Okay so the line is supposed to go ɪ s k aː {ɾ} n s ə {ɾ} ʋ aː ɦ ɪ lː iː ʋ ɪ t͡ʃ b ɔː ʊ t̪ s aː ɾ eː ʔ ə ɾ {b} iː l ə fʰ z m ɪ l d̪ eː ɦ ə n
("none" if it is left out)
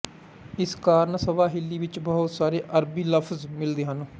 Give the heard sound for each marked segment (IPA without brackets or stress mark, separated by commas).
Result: ɾ, none, b